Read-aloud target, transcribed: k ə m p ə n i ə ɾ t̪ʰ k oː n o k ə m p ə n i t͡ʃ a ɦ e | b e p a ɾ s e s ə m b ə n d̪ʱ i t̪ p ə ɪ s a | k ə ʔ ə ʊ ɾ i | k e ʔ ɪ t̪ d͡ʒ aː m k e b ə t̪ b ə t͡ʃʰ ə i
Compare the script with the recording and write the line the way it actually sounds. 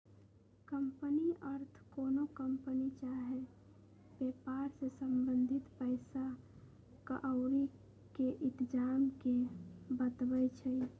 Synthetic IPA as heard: k ə m p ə n i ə ɾ t̪ʰ k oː n o k ə m p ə n i t͡ʃ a ɦ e | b e p a ɾ s e s ə m b ə n d̪ʱ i t̪ p ə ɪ s a | k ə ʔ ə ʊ ɾ i | k e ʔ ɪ t̪ d͡ʒ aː m k e b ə t̪ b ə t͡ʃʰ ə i